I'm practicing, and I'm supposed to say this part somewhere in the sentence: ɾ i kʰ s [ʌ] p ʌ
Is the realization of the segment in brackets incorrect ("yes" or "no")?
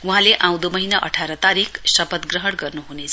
no